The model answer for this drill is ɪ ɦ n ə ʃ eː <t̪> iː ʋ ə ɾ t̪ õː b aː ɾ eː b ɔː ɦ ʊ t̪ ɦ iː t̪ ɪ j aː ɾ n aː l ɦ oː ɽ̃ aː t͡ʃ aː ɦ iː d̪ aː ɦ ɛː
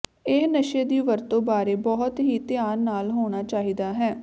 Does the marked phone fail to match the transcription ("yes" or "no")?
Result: yes